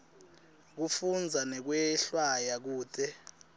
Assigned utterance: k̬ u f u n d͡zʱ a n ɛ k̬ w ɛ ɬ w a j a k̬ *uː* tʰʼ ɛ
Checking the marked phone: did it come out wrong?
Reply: no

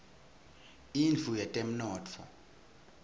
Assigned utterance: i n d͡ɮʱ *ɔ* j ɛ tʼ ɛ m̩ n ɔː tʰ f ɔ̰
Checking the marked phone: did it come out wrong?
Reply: yes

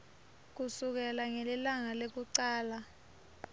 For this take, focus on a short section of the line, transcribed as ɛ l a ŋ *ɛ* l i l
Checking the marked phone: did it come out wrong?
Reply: no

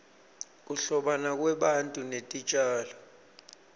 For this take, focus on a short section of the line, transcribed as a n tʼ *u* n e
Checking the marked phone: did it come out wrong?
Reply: no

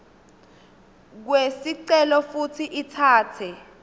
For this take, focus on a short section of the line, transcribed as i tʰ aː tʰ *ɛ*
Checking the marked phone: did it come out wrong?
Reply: no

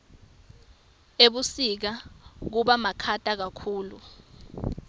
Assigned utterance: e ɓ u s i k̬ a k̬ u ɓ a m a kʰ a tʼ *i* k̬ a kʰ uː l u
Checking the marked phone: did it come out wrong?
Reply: yes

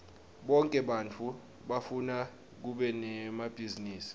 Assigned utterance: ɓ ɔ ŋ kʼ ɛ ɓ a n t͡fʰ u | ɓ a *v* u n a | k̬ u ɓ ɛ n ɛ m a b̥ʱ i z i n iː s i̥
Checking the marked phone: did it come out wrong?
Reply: yes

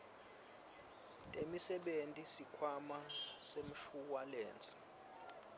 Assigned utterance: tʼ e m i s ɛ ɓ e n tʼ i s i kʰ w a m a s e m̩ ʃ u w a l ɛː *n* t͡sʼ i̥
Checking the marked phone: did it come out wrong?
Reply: no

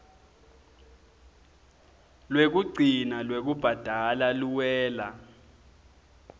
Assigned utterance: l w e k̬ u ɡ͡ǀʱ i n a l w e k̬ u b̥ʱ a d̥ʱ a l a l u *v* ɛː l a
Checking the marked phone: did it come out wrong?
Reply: yes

